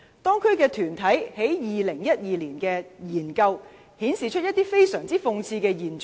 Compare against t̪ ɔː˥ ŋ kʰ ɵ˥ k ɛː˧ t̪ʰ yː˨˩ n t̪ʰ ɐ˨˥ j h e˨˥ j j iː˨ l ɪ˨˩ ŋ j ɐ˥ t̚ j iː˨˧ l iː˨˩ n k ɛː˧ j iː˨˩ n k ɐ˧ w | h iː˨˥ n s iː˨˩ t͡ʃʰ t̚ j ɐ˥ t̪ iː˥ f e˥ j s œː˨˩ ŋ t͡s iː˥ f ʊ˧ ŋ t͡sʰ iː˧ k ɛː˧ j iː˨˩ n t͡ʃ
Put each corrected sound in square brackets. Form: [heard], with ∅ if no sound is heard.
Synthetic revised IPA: t̪ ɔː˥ ŋ kʰ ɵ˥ k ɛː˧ t̪ʰ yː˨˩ n t̪ʰ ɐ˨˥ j h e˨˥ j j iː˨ l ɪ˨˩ ŋ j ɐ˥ t̚ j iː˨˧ l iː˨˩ n k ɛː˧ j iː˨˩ n k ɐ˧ w | h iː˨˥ n s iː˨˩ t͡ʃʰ t̚ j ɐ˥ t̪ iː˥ f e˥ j s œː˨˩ ŋ t͡s iː˥ f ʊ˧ ŋ t͡sʰ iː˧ k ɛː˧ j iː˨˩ n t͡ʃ